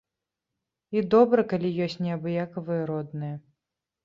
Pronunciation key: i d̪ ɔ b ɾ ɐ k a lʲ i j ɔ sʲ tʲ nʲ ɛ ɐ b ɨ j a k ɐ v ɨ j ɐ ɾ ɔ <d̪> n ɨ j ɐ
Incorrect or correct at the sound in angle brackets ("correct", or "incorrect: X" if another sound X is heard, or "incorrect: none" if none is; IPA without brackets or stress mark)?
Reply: correct